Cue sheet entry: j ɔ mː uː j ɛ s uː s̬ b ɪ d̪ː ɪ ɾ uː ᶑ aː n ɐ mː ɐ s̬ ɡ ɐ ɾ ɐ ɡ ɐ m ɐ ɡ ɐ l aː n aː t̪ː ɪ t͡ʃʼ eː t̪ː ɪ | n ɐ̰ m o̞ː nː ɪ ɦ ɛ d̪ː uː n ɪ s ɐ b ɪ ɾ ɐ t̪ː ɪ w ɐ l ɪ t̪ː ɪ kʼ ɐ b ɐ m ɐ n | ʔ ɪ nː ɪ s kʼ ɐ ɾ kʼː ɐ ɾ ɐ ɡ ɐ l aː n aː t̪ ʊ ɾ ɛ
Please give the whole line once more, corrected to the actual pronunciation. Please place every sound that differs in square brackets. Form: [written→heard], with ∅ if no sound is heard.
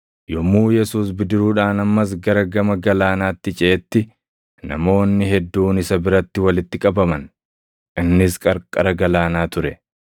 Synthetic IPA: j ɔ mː uː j ɛ s uː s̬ b ɪ [d̪ː→d̪] ɪ ɾ uː ᶑ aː n ɐ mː ɐ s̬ ɡ ɐ ɾ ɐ ɡ ɐ m ɐ ɡ ɐ l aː n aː t̪ː ɪ t͡ʃʼ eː t̪ː ɪ | n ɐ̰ m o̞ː nː ɪ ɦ ɛ d̪ː uː n ɪ s ɐ b ɪ ɾ ɐ t̪ː ɪ w ɐ l ɪ t̪ː ɪ kʼ ɐ b ɐ m ɐ n | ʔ ɪ nː ɪ s kʼ ɐ ɾ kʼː ɐ ɾ ɐ ɡ ɐ l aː n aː t̪ ʊ ɾ ɛ